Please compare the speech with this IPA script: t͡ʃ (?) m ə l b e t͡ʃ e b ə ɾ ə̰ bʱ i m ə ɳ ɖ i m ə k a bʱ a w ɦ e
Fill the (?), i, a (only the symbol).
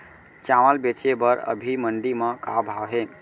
a